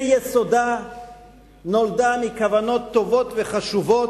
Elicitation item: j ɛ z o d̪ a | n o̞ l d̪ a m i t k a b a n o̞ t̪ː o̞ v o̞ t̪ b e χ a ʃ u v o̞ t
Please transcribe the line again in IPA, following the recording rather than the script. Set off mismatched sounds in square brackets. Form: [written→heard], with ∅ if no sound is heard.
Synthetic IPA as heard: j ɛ [z→s] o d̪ a | n o̞ l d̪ a m i [t→∅] k a [b→v] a n o̞ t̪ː o̞ v o̞ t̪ [b→v] e χ a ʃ u v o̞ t